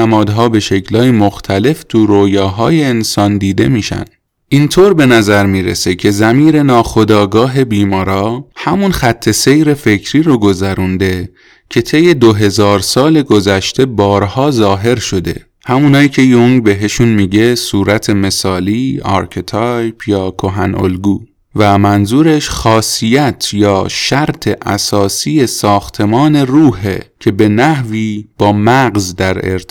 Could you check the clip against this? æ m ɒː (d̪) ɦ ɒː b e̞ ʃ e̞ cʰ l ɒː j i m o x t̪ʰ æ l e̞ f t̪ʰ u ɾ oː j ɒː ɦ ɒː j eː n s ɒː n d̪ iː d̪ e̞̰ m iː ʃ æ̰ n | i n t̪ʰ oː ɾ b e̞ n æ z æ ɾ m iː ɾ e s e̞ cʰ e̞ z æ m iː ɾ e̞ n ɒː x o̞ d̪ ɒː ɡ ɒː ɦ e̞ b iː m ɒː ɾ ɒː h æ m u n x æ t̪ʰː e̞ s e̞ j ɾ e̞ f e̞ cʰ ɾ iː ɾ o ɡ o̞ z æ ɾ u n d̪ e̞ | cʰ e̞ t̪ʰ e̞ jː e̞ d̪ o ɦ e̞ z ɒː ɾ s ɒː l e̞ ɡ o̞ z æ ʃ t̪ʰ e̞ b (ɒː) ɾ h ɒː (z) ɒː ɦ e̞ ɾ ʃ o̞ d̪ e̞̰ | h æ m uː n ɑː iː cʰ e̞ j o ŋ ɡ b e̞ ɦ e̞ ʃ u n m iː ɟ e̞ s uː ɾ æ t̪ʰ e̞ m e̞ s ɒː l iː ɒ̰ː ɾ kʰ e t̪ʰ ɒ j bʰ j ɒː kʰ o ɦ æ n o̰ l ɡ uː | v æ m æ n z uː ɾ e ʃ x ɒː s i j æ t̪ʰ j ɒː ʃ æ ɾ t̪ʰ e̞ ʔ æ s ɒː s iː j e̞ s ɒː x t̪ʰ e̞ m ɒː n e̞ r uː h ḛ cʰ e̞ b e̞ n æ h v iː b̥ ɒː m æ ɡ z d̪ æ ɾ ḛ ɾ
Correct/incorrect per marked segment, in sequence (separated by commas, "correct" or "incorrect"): correct, correct, correct